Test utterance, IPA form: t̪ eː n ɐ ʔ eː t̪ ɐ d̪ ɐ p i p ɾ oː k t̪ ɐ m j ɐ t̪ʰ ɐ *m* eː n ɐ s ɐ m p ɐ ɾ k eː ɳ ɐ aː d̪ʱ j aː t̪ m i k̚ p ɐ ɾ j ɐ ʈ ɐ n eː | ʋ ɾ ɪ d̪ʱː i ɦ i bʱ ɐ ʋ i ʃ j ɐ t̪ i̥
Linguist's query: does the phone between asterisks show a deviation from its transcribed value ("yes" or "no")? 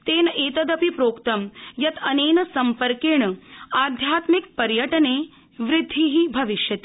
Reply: yes